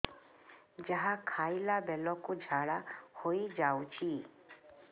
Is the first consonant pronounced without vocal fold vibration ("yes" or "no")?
no